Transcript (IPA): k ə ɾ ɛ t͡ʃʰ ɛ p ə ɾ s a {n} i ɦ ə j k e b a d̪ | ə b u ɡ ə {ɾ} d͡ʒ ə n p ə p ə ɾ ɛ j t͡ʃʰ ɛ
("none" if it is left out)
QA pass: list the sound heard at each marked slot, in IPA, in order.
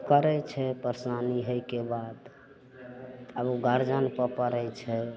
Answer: n, ɾ

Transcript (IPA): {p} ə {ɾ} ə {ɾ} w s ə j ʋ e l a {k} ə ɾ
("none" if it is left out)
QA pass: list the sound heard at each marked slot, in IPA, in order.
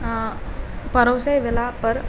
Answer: p, ɾ, none, p

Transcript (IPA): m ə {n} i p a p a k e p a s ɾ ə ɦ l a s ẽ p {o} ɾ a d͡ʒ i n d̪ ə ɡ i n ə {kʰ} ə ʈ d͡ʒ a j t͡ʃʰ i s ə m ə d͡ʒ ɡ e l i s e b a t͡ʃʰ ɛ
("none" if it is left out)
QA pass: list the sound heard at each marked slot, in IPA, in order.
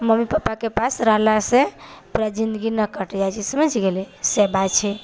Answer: m, u, k

